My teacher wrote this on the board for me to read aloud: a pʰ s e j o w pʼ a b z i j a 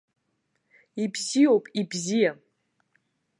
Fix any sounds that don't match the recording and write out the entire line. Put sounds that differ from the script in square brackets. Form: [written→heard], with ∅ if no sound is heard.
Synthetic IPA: [a→i] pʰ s [e→i] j o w pʼ [a→i] b z i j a